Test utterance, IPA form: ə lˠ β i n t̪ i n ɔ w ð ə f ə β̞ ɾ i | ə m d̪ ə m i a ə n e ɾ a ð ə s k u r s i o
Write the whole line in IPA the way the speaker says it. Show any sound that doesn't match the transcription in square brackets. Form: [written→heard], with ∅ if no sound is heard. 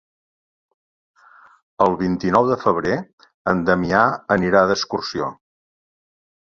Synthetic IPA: ə lˠ β i n t̪ i n ɔ w ð ə f ə β̞ ɾ [i→e] | ə [m→n] d̪ ə m i a ə n [e→i] ɾ a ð ə s k u r s i o